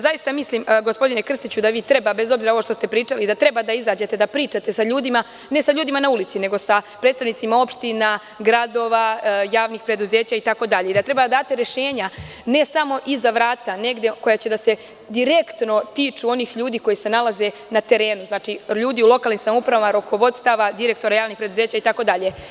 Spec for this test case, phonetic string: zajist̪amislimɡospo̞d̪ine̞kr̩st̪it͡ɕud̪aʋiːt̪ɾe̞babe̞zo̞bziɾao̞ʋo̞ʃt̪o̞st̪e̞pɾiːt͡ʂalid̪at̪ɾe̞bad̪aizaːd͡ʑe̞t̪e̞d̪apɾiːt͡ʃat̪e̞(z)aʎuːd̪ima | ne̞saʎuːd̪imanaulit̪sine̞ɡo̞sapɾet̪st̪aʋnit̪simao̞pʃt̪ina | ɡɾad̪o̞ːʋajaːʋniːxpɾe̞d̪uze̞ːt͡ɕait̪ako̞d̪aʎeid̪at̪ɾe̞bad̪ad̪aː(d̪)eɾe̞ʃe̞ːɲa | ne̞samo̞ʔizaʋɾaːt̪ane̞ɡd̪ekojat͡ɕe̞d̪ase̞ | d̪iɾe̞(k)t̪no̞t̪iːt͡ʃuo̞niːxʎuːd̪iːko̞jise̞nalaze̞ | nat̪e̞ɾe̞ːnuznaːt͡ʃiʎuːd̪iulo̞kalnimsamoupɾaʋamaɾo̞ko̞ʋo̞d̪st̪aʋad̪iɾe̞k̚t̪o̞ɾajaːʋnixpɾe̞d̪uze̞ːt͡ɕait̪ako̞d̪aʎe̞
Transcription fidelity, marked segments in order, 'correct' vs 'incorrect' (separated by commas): incorrect, incorrect, correct